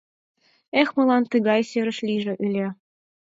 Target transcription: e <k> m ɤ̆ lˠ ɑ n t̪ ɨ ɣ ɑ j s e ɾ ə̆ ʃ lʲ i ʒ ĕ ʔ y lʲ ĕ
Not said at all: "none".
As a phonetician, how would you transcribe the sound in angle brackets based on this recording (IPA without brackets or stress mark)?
x